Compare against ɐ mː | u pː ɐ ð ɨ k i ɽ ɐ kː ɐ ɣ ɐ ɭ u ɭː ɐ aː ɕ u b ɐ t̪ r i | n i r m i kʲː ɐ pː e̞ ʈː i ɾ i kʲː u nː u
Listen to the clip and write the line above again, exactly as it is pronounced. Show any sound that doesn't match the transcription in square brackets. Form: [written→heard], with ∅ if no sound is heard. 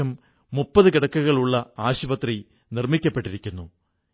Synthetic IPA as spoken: ɐ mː | u pː ɐ ð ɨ k i ɽ ɐ kː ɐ ɣ ɐ ɭ u ɭː ɐ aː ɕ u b ɐ t̪ r i | n i r m i kʲː ɐ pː e̞ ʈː i ɾ i kʲː u nː u